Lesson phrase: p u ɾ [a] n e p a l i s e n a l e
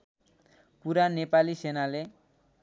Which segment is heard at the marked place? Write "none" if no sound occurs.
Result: a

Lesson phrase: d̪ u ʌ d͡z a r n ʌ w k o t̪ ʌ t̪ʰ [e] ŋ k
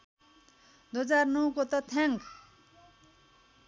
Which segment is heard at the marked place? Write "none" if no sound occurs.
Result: a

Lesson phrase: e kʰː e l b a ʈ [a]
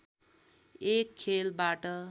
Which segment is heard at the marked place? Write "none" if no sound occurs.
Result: ʌ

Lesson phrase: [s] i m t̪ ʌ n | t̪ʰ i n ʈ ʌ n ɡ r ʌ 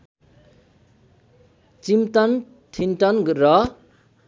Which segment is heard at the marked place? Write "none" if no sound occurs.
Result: t͡s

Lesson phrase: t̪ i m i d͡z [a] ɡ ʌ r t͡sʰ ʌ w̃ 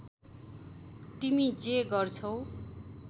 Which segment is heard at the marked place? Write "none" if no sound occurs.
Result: e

